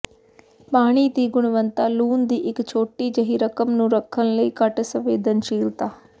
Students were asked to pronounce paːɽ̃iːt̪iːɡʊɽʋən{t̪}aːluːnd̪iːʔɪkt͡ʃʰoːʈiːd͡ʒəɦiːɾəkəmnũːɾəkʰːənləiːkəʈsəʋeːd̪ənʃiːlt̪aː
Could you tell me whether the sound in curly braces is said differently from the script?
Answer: no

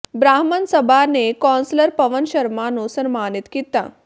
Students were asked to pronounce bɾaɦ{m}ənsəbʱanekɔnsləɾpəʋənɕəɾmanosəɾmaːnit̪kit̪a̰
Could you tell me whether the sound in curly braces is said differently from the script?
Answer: no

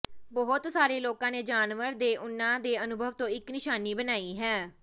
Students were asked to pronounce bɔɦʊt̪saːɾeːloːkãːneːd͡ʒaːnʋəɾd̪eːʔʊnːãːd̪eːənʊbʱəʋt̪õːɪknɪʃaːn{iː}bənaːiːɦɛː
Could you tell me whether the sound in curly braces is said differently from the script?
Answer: no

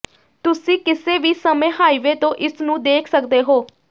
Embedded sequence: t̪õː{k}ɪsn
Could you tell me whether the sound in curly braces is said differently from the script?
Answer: yes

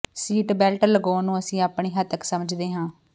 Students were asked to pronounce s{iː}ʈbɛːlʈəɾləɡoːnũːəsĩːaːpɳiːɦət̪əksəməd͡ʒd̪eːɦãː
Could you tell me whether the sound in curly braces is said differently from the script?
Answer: no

